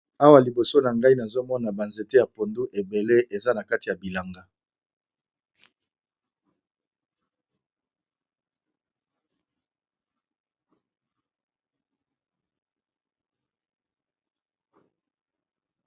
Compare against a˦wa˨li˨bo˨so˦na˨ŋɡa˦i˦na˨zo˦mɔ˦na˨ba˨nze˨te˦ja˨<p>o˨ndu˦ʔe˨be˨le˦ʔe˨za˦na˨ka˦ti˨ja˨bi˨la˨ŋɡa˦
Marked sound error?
no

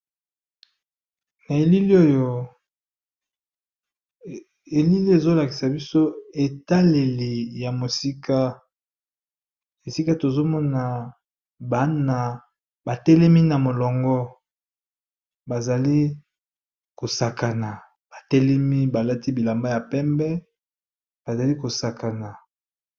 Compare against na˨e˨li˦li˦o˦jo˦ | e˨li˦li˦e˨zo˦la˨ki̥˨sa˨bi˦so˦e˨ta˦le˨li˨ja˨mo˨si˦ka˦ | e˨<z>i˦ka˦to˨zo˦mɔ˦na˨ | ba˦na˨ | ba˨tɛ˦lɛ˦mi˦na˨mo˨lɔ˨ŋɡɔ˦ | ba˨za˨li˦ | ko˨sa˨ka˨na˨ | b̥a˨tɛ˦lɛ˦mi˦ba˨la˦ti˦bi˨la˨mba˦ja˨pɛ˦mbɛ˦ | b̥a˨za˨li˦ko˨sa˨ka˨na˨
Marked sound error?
yes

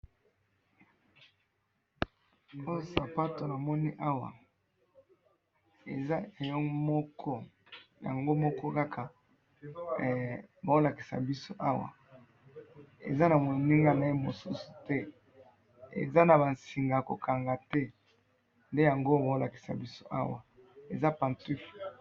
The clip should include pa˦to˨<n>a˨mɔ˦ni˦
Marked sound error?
no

